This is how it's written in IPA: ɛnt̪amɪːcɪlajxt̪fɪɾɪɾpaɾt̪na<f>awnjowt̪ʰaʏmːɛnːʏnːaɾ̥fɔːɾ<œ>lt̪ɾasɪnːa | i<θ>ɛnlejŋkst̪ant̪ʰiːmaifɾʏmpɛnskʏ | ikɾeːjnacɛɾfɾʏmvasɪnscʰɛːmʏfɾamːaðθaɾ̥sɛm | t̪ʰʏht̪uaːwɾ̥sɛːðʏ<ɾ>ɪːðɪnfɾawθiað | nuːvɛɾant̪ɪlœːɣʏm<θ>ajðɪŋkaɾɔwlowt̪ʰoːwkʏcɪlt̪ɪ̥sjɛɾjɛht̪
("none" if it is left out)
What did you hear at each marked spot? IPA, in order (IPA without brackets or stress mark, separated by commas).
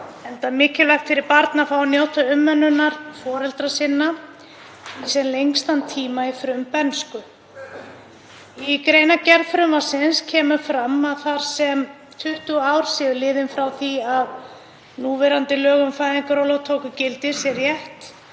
f, ɛ, s, l, f